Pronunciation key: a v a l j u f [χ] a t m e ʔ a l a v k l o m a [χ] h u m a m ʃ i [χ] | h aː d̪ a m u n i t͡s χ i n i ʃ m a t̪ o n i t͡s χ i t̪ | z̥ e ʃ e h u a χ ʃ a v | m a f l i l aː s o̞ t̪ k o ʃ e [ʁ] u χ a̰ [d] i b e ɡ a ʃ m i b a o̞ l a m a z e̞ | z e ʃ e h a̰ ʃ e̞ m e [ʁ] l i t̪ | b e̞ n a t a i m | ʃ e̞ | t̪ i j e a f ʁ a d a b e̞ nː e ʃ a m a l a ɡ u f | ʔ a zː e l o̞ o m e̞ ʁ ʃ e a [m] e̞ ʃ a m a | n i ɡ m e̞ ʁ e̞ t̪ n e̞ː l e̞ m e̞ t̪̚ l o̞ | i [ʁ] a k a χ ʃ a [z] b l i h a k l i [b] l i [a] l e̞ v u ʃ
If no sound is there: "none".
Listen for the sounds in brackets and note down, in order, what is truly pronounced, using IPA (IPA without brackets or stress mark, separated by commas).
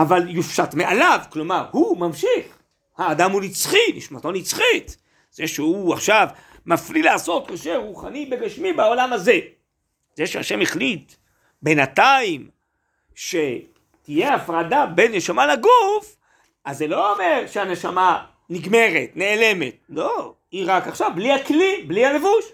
ʃ, ʁ, χ, ʁ, n, χ, n, ʁ, v, b, a